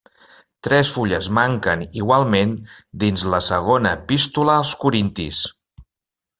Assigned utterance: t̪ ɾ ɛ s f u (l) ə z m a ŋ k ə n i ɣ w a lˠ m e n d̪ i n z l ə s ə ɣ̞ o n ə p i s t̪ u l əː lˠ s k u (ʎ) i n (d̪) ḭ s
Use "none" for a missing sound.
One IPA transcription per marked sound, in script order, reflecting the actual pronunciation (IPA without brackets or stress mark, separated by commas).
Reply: ʎ, ɾ, t̪